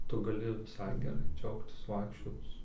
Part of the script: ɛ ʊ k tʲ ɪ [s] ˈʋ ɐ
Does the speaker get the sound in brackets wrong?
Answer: no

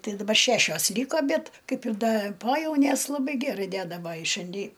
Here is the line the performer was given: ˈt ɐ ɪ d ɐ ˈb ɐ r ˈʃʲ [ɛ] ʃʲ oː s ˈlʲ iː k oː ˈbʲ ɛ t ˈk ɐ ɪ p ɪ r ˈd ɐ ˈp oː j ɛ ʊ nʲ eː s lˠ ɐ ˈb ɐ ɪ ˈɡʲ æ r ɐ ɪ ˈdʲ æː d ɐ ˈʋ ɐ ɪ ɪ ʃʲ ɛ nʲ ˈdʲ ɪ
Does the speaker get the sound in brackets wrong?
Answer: yes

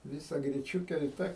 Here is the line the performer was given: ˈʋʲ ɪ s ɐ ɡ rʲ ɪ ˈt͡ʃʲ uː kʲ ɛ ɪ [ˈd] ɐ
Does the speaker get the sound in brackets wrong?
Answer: yes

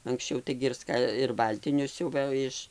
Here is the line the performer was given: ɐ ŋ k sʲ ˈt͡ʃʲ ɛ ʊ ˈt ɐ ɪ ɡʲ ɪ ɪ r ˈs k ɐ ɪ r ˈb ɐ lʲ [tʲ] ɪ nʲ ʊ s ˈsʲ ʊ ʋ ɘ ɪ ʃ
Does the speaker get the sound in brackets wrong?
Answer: no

